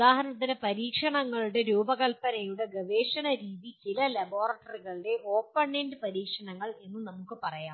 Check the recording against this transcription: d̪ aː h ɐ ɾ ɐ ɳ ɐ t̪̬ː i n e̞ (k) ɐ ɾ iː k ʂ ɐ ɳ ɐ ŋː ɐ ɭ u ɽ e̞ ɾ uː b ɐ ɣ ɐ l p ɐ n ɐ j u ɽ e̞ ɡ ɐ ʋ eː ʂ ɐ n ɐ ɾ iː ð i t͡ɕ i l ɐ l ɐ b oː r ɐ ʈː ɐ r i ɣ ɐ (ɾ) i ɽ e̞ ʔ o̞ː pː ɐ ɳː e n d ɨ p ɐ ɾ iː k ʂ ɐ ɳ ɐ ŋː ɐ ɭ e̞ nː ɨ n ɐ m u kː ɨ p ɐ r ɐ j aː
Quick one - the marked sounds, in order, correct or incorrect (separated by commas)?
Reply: incorrect, incorrect